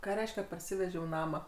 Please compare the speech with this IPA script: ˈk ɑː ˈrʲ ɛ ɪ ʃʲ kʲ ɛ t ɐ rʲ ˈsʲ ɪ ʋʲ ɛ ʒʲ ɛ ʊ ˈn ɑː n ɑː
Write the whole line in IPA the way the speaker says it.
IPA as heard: ˈk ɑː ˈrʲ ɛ ɪ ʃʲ kʲ ɛ p ɐ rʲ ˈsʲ ɪ ʋʲ ɛ ʒʲ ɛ ʊ ˈn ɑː m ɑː